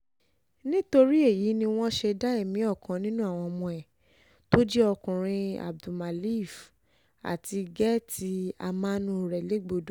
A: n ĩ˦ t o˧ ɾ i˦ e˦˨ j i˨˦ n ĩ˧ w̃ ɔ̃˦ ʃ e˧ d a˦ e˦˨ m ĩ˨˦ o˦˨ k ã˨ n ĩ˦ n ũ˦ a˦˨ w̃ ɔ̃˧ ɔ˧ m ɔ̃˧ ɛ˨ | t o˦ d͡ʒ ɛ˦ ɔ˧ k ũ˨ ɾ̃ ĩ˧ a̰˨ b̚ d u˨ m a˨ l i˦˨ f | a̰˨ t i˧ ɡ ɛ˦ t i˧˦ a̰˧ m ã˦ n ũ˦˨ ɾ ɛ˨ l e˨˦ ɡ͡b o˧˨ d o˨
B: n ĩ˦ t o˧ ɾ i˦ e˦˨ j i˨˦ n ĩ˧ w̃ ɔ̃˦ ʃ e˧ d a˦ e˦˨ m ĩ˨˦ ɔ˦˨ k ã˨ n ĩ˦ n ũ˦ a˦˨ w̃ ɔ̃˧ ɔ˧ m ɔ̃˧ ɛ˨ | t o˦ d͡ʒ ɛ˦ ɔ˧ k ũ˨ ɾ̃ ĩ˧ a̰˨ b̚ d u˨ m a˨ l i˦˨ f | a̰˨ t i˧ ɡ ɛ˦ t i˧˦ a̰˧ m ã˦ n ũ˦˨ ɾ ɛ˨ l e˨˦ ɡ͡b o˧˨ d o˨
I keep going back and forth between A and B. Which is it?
B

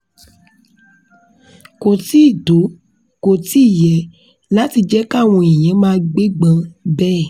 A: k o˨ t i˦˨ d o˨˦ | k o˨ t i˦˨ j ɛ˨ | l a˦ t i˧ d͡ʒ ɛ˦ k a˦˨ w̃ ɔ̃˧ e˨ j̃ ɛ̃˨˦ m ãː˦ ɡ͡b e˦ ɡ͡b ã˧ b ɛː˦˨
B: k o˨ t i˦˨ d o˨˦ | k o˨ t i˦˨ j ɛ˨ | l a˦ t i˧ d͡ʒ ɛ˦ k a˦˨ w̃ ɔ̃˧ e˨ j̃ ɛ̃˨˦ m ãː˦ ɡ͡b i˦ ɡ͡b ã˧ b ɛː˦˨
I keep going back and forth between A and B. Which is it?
A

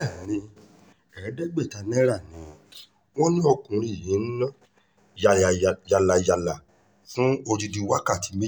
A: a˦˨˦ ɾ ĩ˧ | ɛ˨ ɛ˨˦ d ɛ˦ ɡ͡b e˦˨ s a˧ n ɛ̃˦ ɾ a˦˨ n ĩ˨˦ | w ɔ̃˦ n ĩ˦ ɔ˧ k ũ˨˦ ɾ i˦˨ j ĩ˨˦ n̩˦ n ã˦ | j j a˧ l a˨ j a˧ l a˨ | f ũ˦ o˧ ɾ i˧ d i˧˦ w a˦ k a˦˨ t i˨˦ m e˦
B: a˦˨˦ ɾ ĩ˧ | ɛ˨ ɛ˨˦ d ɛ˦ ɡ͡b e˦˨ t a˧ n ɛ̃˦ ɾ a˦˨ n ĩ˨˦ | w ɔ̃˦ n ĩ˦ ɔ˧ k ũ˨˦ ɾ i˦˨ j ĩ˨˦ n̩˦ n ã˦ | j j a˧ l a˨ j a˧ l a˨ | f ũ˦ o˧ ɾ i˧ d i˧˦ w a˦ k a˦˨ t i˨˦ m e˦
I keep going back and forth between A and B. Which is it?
B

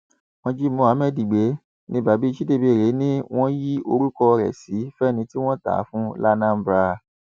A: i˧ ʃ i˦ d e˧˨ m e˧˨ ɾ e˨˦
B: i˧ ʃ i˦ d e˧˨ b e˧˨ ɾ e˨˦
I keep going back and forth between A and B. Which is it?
B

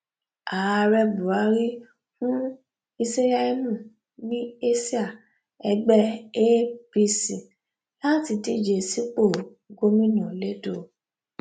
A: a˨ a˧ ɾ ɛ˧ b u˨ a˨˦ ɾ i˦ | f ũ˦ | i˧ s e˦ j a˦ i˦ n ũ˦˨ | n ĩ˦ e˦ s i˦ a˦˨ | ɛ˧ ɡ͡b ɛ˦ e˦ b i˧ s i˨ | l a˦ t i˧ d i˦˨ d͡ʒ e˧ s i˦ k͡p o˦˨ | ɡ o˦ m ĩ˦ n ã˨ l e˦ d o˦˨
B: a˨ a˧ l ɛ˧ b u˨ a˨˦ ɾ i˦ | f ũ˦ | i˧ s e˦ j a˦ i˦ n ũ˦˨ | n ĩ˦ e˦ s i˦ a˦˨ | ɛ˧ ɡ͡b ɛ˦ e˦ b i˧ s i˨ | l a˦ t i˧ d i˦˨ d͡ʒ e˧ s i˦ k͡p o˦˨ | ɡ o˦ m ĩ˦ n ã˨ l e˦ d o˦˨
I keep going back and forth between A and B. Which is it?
A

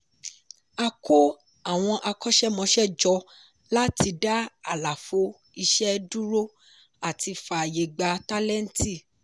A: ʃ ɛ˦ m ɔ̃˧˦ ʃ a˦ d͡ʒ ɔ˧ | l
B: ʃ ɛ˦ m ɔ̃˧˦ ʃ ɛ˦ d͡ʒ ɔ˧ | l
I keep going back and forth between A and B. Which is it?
B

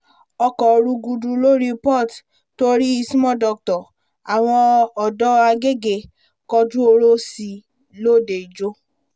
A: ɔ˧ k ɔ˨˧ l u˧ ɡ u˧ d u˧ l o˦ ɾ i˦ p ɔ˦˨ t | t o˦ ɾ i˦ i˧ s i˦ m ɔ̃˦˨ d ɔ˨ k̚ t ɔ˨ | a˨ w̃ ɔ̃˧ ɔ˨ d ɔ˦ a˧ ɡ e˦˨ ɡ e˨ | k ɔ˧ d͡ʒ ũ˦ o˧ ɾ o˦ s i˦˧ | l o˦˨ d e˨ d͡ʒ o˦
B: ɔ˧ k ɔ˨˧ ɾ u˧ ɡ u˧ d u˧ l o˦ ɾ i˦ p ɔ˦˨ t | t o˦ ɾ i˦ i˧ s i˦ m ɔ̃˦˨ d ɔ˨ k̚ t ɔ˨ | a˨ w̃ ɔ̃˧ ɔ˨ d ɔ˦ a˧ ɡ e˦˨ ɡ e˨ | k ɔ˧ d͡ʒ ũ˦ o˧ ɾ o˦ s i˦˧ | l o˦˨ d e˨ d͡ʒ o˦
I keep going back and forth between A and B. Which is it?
B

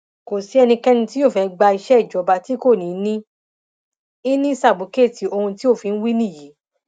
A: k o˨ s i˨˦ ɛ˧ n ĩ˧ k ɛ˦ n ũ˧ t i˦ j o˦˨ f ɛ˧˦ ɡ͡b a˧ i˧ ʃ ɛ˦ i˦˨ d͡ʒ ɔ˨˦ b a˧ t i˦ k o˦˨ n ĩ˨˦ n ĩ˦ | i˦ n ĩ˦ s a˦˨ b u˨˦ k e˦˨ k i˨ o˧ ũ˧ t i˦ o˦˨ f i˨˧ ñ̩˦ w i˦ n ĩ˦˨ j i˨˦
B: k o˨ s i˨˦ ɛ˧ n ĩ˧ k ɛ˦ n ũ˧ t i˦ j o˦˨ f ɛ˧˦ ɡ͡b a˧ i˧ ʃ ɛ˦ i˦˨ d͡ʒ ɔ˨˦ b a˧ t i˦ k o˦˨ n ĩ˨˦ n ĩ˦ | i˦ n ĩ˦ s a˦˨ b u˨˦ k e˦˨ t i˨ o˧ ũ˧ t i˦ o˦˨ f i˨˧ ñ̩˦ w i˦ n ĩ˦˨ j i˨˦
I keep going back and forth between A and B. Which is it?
B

